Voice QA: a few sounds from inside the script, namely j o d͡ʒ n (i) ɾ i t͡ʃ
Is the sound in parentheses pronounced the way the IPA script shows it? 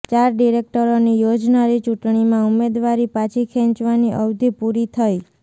no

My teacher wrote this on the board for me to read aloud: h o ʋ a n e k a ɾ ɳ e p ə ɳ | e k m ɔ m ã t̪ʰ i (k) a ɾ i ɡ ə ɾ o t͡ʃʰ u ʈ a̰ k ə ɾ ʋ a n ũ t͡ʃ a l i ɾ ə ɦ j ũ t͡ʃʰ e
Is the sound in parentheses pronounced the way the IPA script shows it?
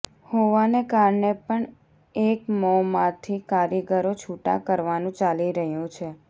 yes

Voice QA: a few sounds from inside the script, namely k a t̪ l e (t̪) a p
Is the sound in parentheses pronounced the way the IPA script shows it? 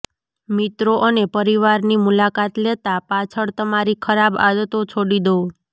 yes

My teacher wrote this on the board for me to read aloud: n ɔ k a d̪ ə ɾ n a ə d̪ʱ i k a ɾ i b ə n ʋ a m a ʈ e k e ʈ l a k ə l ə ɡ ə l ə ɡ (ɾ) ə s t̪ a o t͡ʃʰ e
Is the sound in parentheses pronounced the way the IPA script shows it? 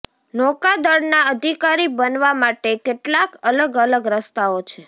yes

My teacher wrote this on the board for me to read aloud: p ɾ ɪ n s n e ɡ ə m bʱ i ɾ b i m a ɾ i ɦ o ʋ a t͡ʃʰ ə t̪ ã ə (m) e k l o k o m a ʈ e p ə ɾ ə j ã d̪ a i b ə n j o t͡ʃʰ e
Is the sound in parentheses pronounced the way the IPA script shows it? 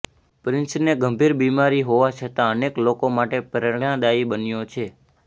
no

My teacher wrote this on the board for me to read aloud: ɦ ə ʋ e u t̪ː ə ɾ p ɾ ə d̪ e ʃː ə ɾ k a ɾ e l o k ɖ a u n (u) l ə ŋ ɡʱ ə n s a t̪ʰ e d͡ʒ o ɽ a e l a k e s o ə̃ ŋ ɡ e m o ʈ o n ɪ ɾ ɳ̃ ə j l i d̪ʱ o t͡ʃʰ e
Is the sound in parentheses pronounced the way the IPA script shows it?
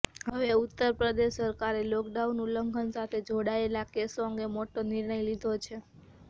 yes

